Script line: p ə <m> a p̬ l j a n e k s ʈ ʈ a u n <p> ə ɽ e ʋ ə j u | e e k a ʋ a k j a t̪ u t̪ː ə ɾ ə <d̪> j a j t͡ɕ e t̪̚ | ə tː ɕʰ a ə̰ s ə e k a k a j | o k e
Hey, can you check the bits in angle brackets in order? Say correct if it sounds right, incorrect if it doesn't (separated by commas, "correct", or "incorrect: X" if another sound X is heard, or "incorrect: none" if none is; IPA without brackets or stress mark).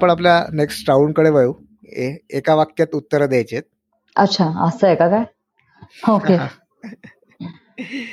incorrect: ɳ, incorrect: k, correct